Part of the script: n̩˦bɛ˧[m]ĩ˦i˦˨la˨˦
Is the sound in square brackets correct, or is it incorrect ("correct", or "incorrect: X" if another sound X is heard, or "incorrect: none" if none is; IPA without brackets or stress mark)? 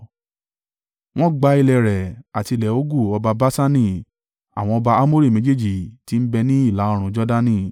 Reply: incorrect: n